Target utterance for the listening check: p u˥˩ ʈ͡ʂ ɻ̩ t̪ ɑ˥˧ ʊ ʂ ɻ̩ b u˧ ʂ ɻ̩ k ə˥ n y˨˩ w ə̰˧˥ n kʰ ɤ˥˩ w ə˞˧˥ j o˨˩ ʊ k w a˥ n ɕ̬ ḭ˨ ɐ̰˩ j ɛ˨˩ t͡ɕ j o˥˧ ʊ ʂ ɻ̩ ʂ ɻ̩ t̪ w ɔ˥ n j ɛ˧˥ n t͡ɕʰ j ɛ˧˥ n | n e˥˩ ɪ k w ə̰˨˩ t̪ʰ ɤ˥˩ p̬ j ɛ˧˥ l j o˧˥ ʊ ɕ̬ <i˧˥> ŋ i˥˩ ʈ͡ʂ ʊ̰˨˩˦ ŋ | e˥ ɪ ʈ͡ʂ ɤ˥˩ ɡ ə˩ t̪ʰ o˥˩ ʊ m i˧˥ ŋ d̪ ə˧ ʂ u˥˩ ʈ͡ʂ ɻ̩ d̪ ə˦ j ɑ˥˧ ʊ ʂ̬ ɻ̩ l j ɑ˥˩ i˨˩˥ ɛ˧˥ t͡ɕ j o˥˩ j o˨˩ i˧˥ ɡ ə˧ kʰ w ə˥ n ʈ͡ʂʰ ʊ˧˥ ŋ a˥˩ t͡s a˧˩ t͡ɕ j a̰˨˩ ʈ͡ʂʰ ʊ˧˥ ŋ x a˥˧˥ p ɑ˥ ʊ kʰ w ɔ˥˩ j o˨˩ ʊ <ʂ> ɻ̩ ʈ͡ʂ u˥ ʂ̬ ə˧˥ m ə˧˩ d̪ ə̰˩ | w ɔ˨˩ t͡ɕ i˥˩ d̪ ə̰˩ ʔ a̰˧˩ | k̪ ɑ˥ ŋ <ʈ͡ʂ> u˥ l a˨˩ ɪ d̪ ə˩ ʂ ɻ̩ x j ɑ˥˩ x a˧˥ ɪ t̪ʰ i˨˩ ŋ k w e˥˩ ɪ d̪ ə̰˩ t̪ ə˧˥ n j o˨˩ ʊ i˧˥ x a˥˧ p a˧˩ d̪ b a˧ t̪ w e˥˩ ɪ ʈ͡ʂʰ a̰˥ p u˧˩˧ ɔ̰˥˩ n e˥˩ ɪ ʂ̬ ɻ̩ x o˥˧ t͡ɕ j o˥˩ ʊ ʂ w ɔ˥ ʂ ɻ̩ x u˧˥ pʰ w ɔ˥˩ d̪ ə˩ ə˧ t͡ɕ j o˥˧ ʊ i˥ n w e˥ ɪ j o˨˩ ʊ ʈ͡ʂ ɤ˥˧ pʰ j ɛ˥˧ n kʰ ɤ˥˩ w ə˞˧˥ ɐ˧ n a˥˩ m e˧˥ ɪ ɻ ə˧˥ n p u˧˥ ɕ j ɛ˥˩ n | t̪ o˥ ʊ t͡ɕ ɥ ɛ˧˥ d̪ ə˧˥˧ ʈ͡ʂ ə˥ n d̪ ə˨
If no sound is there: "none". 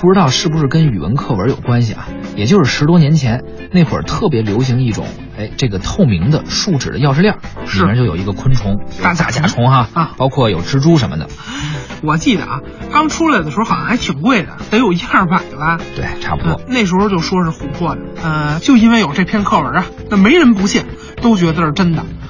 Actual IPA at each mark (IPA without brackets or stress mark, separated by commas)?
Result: i˧˥, ʈ͡ʂ, ʈ͡ʂʰ